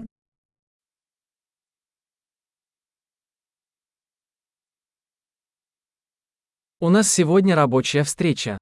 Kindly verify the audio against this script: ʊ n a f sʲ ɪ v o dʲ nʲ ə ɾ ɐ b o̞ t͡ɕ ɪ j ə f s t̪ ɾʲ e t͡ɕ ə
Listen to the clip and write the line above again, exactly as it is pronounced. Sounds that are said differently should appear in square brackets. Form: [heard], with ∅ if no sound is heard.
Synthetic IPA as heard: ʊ n a [s] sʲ ɪ v o dʲ nʲ ə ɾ ɐ b o̞ t͡ɕ ɪ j ə f s t̪ ɾʲ e t͡ɕ ə